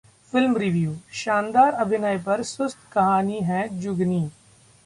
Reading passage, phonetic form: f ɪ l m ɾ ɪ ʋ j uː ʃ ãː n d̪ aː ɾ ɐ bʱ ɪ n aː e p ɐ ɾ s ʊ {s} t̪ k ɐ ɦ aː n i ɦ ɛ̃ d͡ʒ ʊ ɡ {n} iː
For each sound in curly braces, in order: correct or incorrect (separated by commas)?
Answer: correct, correct